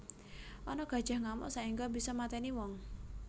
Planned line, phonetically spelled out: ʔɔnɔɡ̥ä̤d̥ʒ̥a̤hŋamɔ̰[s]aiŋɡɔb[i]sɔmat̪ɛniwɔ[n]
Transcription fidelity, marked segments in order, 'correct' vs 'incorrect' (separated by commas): correct, correct, incorrect